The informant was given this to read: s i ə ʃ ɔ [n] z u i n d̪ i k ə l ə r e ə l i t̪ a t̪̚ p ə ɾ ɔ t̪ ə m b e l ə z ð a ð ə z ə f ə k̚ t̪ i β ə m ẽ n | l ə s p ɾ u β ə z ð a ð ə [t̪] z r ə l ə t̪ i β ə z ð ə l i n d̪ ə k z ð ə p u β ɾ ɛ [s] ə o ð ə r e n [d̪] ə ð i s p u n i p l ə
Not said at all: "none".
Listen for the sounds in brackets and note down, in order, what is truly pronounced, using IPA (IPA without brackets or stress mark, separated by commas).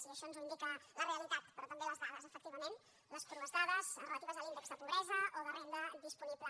n, none, z, d̪